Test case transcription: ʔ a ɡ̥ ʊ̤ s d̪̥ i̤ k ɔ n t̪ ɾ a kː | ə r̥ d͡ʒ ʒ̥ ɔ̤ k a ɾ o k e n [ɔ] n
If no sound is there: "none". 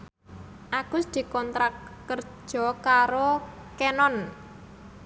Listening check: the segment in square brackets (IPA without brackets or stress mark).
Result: ɔ